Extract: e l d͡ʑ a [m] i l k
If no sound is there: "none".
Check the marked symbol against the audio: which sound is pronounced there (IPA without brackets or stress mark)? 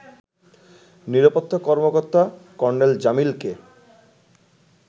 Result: m